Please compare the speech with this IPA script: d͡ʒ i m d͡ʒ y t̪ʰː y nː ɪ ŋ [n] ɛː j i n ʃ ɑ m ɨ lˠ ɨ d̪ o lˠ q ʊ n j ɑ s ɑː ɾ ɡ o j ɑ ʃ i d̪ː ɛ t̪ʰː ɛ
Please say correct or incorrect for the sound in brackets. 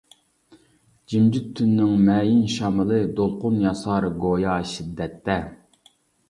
incorrect